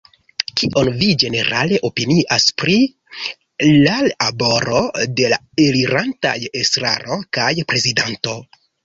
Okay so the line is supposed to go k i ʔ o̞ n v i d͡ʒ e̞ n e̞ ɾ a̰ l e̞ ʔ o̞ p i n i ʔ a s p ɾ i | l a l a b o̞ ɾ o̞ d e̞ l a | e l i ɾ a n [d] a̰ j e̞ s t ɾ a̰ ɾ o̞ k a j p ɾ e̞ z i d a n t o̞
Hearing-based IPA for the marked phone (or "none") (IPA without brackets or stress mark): t